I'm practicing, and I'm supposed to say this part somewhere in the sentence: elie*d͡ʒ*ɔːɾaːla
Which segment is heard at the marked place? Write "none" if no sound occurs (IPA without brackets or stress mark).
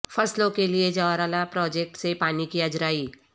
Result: d͡ʒ